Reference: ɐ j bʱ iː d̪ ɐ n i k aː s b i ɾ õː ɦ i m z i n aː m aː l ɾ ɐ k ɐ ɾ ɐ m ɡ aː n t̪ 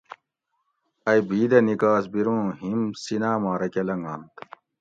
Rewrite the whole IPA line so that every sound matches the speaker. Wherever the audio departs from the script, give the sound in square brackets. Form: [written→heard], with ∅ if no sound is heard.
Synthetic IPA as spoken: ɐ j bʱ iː d̪ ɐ n i k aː s b i ɾ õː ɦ i m [z→s] i n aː m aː [l→∅] ɾ ɐ k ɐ [ɾ→l] ɐ [m→ŋ] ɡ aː n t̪